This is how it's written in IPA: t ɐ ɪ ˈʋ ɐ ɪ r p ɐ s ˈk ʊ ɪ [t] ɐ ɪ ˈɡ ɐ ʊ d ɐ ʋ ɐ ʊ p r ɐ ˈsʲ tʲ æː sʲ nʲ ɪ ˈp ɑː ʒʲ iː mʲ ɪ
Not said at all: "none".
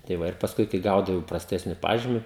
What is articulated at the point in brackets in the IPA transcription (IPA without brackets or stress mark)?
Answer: k